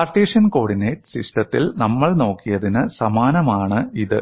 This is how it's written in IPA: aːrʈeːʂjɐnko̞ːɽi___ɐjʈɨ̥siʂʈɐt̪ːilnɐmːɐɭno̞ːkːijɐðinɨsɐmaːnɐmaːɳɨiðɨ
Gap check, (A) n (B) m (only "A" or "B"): A